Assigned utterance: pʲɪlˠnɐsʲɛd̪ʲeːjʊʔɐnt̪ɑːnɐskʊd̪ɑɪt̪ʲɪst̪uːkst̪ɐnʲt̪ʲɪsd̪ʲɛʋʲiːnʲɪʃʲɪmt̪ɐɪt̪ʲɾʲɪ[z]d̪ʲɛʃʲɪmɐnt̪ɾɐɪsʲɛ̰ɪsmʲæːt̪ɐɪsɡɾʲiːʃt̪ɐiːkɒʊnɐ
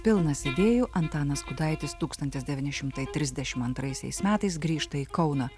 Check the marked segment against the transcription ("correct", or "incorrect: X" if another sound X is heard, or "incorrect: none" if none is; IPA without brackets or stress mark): correct